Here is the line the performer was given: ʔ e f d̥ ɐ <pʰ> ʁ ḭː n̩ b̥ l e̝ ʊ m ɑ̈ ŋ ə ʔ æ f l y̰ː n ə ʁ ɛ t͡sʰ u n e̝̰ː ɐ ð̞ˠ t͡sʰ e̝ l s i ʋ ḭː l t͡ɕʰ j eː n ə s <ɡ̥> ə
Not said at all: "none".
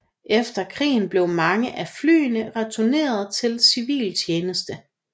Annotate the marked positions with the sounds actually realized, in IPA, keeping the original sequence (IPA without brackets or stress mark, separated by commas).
kʰ, d̥